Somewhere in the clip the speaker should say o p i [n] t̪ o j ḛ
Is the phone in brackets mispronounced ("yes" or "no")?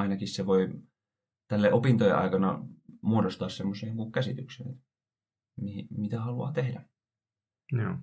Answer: no